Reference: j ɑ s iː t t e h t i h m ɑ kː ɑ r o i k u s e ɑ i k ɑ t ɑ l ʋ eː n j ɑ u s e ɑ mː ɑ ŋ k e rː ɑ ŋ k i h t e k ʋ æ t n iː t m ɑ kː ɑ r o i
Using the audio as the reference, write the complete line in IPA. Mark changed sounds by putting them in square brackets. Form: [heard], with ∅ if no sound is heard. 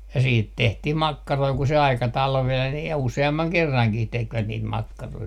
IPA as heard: j ɑ s iː t t e h t i h m ɑ kː ɑ r o i k u s e ɑ i k ɑ t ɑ l ʋ eː n j ɑ u s e ɑ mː ɑ ŋ k e rː ɑ ŋ k i h t e k ʋ æ t n iː t m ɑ kː ɑ r o i